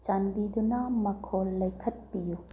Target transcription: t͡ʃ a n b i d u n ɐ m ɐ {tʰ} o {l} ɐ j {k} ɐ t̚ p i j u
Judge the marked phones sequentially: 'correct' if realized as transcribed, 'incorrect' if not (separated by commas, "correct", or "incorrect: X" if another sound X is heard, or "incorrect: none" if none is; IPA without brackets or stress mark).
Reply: incorrect: kʰ, incorrect: lː, incorrect: kʰ